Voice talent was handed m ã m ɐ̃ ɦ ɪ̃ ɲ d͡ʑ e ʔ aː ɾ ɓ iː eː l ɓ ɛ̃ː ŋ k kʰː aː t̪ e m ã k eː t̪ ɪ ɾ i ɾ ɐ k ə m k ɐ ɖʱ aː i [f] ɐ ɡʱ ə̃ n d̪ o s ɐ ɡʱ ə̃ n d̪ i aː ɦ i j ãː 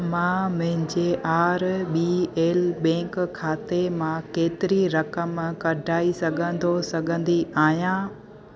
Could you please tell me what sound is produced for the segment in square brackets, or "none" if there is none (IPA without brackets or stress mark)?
s